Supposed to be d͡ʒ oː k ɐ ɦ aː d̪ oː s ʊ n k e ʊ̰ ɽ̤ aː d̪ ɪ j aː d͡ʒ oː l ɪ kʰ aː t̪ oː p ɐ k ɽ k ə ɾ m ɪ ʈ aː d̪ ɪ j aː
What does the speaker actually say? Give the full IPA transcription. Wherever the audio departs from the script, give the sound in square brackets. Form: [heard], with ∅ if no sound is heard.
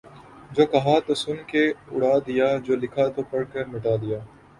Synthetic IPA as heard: d͡ʒ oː k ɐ ɦ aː [t̪] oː s ʊ n k e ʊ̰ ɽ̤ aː d̪ ɪ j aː d͡ʒ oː l ɪ kʰ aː t̪ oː p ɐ [∅] ɽ k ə ɾ m ɪ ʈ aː d̪ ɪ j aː